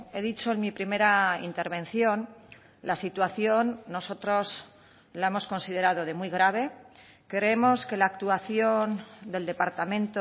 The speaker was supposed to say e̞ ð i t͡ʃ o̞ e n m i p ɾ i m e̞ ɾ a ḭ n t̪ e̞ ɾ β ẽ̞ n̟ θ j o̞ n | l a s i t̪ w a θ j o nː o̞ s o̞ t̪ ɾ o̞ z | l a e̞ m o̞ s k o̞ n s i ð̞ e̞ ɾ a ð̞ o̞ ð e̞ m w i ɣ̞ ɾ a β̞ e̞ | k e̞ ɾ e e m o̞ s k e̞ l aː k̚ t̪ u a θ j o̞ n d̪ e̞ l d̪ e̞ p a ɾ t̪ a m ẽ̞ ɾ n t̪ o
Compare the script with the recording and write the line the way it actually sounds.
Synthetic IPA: e̞ ð i t͡ʃ o̞ e n m i p ɾ i m e̞ ɾ a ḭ n t̪ e̞ ɾ β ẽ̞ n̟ θ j o̞ n | l a s i t̪ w a θ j o nː o̞ s o̞ t̪ ɾ o̞ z | l a e̞ m o̞ s k o̞ n s i ð̞ e̞ ɾ a ð̞ o̞ ð e̞ m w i ɣ̞ ɾ a β̞ e̞ | k e̞ ɾ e e m o̞ s k e̞ l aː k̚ t̪ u a θ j o̞ n d̪ e̞ l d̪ e̞ p a ɾ t̪ a m ẽ̞ n t̪ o